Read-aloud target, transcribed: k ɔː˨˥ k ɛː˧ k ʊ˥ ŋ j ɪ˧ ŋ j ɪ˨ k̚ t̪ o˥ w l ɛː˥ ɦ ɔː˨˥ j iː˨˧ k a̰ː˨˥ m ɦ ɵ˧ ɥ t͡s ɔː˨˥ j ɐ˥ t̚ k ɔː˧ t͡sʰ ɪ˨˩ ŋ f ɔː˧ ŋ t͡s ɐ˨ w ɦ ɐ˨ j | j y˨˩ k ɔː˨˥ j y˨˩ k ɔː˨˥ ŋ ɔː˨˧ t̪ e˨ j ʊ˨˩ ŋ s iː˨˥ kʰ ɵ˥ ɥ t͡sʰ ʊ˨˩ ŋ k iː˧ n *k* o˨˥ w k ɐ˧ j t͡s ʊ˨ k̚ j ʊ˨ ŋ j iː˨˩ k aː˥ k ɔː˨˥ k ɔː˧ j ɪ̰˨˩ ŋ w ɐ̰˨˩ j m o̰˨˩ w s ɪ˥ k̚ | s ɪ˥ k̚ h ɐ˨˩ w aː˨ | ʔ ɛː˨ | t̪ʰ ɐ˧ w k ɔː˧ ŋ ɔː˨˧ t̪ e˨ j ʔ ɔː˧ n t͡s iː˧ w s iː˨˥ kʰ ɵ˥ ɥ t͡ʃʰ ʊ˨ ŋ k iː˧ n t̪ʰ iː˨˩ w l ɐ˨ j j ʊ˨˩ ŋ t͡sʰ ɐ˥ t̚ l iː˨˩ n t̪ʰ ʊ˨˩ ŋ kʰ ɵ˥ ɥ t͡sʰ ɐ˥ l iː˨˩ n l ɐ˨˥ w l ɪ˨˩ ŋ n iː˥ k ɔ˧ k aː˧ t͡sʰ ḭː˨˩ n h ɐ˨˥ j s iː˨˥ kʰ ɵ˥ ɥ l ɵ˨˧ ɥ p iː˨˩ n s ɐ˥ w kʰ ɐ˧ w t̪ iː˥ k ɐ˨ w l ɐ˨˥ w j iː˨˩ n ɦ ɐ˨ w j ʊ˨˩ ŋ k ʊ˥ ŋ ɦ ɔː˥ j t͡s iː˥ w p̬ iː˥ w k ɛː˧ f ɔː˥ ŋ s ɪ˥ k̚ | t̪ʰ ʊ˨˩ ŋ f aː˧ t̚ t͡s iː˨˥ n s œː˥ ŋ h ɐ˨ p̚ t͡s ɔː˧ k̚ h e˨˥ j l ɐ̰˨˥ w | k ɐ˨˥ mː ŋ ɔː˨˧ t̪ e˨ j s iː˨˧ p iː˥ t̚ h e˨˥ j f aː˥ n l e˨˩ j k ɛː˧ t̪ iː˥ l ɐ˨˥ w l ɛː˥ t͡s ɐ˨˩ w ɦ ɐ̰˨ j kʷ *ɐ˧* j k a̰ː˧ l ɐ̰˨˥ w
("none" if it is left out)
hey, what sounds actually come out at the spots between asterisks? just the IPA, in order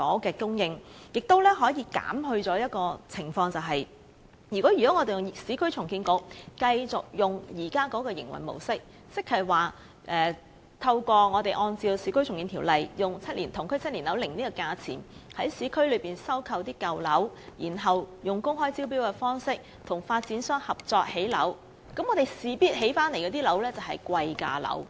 k, ɐ˧

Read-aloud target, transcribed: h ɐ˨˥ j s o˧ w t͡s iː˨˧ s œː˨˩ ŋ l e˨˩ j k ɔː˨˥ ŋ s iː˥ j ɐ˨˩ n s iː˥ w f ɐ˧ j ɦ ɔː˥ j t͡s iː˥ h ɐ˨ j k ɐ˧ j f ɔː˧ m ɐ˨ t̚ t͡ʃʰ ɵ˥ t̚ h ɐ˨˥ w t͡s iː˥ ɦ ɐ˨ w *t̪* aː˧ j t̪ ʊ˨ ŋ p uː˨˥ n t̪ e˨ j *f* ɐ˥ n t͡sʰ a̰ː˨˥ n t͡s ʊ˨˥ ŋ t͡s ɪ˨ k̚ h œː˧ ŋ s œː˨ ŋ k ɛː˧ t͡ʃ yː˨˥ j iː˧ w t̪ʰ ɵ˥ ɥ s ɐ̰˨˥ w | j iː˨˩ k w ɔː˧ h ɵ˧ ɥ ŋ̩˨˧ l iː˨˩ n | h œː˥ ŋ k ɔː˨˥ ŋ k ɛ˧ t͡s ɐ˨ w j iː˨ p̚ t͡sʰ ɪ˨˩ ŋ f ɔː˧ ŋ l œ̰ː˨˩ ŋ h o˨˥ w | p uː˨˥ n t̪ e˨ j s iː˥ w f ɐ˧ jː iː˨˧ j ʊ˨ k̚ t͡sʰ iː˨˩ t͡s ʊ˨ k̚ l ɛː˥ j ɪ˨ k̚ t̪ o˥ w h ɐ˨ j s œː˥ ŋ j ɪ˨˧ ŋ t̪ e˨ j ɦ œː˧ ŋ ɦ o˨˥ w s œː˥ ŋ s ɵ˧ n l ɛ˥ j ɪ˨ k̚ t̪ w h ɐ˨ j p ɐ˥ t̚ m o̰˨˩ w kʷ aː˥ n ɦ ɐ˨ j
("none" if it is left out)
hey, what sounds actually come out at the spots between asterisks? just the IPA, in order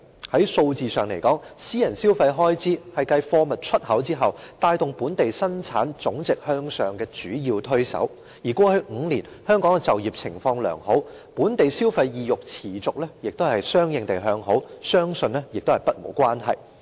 t̪, s

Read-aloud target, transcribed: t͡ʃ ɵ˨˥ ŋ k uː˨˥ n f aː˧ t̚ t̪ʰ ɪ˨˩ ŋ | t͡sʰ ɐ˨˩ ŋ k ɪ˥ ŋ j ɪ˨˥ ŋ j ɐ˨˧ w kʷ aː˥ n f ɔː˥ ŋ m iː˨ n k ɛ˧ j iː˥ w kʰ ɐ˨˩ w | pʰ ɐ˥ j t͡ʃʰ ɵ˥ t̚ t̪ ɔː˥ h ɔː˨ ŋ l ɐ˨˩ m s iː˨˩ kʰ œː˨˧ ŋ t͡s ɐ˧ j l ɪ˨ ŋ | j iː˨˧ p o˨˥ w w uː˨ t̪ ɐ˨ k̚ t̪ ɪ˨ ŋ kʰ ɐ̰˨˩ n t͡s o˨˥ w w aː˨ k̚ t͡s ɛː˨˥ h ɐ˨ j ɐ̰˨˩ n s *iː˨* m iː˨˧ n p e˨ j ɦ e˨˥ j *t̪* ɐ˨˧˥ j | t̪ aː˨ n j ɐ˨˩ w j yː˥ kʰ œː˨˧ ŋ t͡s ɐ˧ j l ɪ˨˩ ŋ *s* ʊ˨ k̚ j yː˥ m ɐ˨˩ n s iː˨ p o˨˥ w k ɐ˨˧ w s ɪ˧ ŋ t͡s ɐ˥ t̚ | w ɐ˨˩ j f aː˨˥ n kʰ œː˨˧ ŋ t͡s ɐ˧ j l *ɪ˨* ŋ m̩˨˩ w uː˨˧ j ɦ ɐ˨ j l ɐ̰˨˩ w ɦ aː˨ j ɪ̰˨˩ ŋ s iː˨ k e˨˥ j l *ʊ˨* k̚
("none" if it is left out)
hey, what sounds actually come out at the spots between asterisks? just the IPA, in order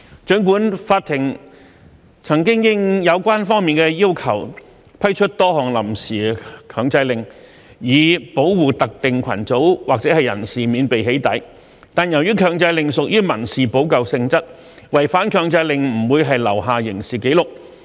iː˨, t̪, s, ɪ˨, ʊ˨

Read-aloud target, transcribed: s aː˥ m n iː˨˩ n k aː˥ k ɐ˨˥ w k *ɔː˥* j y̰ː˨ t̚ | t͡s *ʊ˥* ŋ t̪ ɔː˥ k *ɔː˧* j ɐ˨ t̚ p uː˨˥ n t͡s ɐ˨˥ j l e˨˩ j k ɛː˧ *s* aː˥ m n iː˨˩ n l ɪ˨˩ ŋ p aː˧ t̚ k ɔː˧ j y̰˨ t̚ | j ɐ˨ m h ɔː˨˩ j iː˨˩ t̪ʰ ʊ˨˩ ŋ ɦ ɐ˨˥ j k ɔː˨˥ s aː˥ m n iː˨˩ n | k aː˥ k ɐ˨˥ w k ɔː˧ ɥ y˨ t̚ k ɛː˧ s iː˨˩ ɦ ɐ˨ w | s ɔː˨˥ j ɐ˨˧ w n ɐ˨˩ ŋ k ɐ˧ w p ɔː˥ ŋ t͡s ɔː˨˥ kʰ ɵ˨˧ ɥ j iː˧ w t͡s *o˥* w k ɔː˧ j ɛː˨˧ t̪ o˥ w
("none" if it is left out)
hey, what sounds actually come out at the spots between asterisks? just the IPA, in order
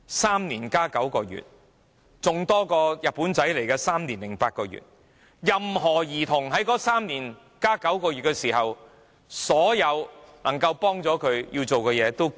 ɔː˧, ʊ˨, ɔː˧, s, o˨

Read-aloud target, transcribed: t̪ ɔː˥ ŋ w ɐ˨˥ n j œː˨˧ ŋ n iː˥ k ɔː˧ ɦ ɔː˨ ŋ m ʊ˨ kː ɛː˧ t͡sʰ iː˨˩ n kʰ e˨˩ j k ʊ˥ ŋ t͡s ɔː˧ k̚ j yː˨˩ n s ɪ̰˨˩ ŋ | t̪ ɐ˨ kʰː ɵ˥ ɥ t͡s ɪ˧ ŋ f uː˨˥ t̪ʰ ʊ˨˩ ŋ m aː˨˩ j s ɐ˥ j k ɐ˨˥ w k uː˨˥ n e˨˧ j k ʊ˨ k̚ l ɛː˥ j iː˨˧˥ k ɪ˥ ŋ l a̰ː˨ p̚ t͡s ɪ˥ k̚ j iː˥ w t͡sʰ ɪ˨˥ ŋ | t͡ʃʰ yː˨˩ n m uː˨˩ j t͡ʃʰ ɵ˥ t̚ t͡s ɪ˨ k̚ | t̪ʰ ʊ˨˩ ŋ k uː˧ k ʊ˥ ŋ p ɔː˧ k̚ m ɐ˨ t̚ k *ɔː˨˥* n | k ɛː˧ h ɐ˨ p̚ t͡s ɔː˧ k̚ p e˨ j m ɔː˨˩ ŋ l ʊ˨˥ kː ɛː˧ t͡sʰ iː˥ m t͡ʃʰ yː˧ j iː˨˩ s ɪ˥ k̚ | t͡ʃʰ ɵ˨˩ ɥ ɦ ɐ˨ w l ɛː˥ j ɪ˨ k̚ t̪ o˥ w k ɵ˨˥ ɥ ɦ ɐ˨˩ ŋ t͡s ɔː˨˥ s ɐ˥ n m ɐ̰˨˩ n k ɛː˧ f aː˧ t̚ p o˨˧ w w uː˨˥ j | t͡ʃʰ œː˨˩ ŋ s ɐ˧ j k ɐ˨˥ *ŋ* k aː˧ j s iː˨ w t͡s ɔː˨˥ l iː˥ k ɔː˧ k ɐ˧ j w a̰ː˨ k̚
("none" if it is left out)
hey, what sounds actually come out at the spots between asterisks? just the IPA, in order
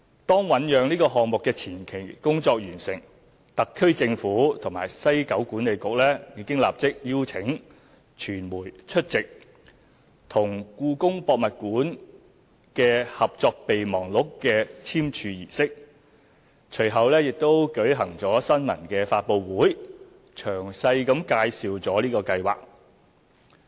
uː˨˥, m

